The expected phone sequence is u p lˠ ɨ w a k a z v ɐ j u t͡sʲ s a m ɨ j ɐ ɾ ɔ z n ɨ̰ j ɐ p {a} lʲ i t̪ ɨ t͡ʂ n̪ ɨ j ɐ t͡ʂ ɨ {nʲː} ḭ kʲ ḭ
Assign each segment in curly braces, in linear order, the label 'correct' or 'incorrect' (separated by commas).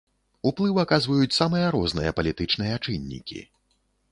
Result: incorrect, correct